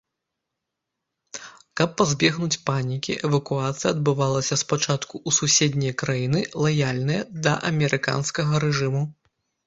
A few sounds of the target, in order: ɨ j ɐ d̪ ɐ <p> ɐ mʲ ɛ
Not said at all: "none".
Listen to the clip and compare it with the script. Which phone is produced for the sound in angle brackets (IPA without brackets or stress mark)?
ʔ